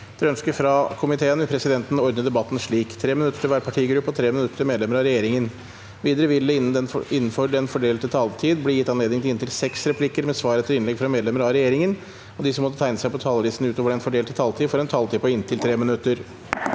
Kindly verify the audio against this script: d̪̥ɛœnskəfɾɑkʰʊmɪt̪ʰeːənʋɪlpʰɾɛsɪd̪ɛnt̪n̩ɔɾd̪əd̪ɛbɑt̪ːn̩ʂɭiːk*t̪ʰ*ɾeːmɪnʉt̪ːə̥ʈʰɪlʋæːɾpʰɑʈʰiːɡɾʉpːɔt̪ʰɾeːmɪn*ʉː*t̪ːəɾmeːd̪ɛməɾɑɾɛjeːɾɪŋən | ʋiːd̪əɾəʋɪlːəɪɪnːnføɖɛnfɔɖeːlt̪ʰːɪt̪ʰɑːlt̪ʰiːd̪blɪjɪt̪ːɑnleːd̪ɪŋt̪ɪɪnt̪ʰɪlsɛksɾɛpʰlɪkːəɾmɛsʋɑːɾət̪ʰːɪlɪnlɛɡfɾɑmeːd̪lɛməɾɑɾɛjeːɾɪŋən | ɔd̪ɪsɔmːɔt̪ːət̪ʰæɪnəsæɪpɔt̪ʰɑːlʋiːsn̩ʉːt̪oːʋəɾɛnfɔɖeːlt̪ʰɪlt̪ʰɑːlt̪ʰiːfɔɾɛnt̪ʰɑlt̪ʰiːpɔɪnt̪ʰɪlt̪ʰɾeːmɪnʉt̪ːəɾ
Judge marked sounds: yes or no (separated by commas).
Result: yes, no